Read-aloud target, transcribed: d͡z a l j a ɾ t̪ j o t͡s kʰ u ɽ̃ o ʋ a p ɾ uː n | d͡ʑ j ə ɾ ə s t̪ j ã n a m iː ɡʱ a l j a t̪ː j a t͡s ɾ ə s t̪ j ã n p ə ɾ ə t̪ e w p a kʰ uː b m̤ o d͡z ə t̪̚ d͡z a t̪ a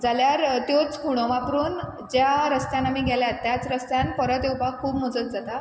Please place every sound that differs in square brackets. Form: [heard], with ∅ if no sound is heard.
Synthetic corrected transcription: d͡z a l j a ɾ t̪ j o t͡s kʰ u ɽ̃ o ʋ a p ɾ uː n | d͡ʑ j [a] ɾ ə s t̪ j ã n a m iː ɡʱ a l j a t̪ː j a t͡s ɾ ə s t̪ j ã n p ə ɾ ə t̪ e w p a kʰ uː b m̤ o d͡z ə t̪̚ d͡z a t̪ a